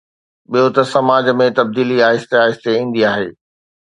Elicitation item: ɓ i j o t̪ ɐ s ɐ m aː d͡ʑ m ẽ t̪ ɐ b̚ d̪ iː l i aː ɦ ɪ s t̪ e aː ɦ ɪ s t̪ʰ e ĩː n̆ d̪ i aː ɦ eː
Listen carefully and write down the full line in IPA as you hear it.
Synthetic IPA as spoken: ɓ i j o t̪ ɐ s ɐ m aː d͡ʑ m ẽ t̪ ɐ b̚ d̪ iː l i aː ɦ ɪ s t̪ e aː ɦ ɪ s t̪ e ĩː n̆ d̪ i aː ɦ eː